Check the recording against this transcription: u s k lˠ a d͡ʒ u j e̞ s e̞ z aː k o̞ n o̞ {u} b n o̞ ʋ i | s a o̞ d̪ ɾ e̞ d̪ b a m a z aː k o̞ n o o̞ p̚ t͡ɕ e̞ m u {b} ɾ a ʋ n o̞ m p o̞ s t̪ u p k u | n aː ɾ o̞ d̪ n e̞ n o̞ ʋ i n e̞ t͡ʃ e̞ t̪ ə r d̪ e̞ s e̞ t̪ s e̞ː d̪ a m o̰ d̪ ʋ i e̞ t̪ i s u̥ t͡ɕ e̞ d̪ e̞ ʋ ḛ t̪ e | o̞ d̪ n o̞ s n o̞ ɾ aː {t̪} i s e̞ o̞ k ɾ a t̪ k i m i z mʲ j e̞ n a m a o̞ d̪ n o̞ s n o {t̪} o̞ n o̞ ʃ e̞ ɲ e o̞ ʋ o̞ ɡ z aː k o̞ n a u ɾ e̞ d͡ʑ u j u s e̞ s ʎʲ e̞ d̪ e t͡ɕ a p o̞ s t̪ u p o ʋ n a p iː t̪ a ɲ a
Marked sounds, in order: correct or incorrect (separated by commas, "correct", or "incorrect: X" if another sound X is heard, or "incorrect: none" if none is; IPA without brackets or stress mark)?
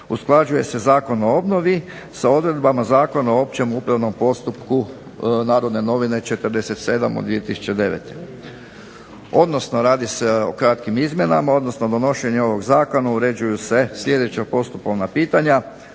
incorrect: o, incorrect: p, incorrect: d̪, incorrect: d̪